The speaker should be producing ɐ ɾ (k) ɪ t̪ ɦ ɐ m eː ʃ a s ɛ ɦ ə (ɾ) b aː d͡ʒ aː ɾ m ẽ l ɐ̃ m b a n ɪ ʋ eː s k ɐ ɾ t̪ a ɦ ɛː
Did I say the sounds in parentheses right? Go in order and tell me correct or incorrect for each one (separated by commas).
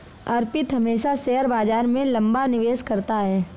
incorrect, correct